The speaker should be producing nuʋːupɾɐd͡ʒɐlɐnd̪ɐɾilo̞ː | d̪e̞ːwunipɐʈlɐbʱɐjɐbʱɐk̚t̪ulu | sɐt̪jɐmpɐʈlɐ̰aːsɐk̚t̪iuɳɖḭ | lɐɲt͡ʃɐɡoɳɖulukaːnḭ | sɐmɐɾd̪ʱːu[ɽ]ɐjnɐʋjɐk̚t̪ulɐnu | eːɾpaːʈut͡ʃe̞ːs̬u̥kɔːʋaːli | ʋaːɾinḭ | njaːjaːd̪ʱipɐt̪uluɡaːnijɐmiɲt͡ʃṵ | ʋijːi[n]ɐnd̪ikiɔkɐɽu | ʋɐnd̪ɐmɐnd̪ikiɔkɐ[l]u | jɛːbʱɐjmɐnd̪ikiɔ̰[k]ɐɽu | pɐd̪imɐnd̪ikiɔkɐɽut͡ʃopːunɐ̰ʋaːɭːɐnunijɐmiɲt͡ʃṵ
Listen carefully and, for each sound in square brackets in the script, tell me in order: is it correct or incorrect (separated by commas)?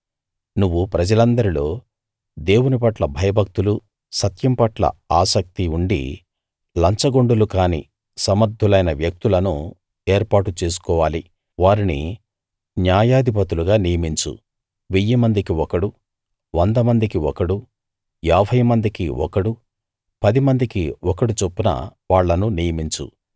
incorrect, incorrect, incorrect, correct